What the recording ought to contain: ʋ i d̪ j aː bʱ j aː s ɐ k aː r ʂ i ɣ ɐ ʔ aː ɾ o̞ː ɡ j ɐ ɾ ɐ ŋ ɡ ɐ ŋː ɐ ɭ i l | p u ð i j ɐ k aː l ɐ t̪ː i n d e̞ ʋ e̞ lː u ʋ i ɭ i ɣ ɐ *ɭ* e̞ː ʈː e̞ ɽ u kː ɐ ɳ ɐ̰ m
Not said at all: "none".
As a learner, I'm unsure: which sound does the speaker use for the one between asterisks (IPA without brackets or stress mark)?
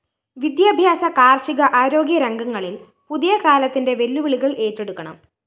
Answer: ɭ